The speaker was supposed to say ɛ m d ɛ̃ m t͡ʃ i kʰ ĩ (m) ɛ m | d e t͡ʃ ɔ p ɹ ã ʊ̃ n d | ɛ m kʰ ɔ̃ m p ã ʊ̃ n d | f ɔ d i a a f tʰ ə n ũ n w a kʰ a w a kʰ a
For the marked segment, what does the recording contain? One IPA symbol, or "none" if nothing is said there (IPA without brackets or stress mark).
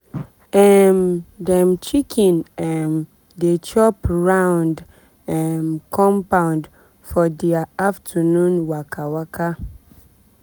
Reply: n